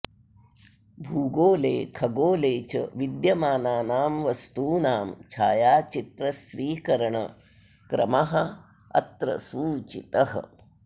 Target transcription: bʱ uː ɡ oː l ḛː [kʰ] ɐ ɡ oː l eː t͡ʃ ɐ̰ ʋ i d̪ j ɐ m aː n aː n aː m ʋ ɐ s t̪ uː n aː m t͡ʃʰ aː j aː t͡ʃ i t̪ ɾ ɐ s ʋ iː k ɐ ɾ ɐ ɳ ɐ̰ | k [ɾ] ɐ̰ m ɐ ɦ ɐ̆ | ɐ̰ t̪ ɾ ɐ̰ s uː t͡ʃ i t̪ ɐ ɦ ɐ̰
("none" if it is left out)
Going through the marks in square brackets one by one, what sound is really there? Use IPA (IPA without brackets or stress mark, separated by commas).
kʰ, ɾ